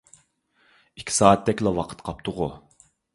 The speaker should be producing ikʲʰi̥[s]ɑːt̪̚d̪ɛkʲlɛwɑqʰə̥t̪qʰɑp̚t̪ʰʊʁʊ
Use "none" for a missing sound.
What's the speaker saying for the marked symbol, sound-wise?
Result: s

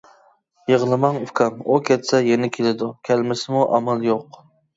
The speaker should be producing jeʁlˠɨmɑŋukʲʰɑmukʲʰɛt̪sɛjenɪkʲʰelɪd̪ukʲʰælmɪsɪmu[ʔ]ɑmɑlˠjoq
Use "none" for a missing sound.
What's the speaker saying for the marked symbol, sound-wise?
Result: ʔ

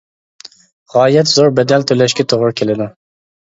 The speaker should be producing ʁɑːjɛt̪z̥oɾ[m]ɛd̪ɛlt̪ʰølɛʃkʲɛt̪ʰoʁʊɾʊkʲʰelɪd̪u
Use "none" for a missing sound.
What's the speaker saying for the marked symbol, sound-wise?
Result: b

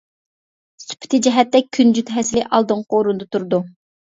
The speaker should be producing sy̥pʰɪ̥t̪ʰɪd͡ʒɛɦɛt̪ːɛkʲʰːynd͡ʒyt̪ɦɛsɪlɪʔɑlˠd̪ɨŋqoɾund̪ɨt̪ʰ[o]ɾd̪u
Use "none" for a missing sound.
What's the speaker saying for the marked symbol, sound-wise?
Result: u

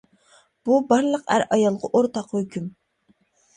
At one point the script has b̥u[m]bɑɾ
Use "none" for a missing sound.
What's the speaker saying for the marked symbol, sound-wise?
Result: none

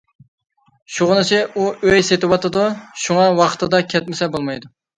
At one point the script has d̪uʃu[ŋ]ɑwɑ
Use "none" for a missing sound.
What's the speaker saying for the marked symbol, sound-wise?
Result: ŋ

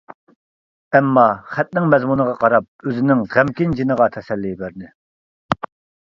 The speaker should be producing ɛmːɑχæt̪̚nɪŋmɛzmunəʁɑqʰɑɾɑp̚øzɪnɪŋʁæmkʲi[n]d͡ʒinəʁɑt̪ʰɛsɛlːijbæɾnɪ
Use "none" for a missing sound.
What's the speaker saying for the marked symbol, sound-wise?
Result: n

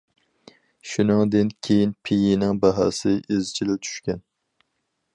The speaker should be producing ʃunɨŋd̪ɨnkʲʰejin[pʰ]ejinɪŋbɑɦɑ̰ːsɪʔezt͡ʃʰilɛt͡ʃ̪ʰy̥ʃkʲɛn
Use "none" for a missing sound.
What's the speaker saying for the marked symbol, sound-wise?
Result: pʰ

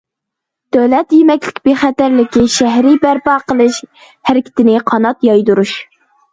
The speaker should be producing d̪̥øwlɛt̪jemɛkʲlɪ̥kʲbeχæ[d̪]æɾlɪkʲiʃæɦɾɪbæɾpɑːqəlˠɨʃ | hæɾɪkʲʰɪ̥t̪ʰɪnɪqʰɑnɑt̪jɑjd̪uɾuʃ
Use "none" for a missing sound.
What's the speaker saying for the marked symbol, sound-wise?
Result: t̪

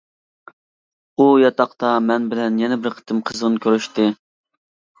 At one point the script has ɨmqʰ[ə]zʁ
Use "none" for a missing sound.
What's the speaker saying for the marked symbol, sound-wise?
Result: ə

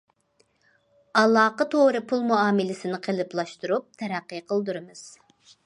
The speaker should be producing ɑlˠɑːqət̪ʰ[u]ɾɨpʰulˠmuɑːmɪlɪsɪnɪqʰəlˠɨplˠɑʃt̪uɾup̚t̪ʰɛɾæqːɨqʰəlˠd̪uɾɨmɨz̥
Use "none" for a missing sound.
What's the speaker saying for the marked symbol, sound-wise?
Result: o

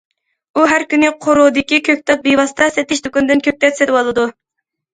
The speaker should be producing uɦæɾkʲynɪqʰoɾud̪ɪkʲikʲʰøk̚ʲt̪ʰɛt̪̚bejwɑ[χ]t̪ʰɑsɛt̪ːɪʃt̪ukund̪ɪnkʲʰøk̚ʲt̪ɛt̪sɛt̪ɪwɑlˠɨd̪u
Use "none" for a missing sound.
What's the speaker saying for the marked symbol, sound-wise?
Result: s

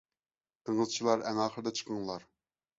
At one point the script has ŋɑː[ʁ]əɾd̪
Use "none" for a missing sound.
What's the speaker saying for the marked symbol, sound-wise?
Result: χ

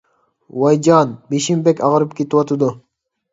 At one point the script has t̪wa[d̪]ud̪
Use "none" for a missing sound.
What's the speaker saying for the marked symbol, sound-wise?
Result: t̪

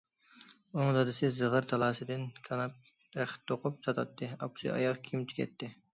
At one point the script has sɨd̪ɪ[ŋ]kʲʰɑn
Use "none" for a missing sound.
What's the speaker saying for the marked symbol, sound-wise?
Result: n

